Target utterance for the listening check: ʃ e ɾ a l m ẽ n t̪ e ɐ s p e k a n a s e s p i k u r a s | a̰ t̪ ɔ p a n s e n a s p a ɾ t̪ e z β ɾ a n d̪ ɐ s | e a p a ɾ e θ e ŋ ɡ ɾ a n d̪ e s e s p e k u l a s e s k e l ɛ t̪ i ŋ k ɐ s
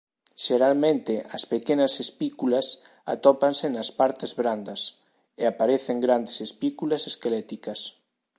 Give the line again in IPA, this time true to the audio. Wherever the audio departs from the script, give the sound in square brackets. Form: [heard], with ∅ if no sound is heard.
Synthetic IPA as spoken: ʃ e ɾ a l m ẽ n t̪ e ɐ s p e k [e] n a s e s p i k u [l] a s | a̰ t̪ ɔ p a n s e n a s p a ɾ t̪ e z β ɾ a n d̪ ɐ s | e a p a ɾ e θ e ŋ ɡ ɾ a n d̪ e s e s p [i] k u l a s e s k e l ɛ t̪ i [∅] k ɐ s